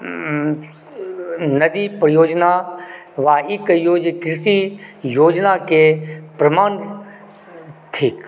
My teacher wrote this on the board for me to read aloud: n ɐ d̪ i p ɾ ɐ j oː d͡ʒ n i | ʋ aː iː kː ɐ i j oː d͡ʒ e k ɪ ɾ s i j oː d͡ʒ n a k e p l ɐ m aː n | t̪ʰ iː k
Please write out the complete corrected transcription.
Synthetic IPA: n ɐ d̪ i p ɾ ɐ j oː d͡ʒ n a | ʋ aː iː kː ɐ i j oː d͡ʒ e k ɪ ɾ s i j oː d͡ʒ n a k e p ɾ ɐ m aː n | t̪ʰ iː k

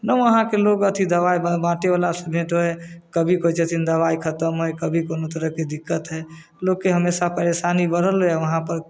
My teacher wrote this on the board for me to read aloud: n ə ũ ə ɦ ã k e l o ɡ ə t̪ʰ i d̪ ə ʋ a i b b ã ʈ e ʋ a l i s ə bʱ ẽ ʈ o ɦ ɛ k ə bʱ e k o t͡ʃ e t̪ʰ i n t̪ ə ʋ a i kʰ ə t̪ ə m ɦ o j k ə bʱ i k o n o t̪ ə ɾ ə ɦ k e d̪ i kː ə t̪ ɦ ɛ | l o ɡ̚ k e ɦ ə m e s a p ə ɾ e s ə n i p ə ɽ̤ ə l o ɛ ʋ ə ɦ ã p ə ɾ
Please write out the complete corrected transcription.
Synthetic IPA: n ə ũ ə ɦ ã k e l o ɡ ə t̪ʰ i d̪ ə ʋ a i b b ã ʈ e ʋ a l a s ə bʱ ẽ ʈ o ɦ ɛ k ə bʱ i k o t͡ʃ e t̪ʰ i n d̪ ə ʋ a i kʰ ə t̪ ə m ɦ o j k ə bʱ i k o n o t̪ ə ɾ ə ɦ k e d̪ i kː ə t̪ ɦ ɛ | l o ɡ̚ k e ɦ ə m e s a p ə ɾ e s a n i b ə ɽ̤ ə l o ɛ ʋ ə ɦ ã p ə ɾ

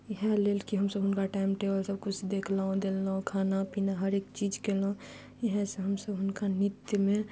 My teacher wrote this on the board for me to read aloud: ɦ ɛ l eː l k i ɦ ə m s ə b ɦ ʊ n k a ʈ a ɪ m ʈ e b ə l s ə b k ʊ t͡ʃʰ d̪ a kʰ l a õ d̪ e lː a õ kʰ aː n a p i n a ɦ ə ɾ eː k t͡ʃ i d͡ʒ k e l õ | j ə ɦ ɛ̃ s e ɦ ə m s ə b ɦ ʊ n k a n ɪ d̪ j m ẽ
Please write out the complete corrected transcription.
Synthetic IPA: ɦ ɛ l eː l k i ɦ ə m s ə b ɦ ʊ n k a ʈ a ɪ m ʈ e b ə l s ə b k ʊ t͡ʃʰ d̪ e kʰ l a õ d̪ e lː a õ kʰ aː n a p i n a ɦ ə ɾ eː k t͡ʃ i d͡ʒ k e l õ | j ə ɦ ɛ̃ s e ɦ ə m s ə b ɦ ʊ n k a n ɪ t̪ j m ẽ

